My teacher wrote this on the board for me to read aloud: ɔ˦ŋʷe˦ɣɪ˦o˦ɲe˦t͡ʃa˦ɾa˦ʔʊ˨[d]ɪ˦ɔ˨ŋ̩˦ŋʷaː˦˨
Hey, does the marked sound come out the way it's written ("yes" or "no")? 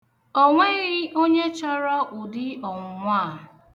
yes